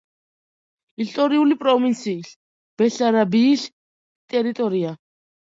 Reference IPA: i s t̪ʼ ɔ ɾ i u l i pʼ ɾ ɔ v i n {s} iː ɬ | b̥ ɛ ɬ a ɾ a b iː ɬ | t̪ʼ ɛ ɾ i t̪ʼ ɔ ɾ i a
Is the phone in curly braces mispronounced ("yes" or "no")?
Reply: no